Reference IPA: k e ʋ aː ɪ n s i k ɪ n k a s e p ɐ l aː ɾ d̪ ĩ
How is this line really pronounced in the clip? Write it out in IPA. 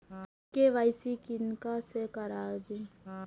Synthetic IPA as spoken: k e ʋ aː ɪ s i k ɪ n k a s e k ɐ ɾ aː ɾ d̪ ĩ